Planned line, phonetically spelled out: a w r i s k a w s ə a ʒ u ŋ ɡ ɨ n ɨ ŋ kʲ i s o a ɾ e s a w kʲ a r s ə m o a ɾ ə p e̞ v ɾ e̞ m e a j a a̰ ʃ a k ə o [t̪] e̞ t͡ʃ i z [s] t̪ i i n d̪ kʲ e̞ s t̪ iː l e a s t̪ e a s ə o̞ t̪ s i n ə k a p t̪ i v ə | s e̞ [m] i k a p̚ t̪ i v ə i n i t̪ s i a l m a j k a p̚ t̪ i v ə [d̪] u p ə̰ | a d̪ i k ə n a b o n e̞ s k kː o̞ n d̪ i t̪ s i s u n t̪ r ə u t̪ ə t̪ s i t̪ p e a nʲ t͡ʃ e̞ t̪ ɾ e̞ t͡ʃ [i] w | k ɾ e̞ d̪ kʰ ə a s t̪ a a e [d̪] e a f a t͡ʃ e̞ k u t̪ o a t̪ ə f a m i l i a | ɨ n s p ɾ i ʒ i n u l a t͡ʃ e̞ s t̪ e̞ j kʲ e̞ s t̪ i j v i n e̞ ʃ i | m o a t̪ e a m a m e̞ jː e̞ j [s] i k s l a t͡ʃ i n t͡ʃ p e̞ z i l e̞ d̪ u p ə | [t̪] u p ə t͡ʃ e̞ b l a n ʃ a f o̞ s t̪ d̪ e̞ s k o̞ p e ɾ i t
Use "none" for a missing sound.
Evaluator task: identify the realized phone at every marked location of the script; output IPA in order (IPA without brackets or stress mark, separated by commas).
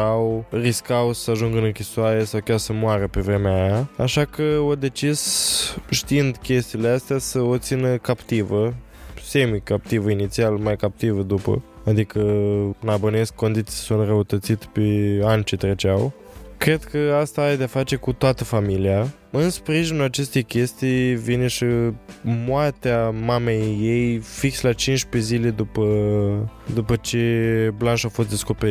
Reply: d̪, ʃ, m, d̪, a, d̪, f, d̪